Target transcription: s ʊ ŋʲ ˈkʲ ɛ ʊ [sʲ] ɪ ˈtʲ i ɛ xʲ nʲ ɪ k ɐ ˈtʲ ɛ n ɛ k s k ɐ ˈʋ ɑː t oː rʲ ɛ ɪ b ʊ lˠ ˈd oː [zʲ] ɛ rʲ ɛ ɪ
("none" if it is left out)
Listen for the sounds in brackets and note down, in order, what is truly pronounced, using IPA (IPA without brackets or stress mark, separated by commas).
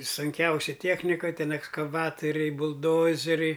sʲ, zʲ